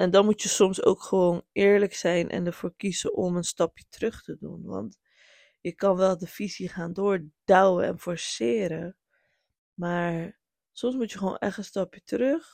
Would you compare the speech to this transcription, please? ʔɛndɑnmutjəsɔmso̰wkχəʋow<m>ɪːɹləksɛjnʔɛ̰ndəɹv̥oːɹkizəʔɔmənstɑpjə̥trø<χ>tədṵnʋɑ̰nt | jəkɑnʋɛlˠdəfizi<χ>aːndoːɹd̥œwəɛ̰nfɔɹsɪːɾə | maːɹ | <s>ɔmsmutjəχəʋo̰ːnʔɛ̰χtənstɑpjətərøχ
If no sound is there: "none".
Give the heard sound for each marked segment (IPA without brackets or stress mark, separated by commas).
n, χ, χ, s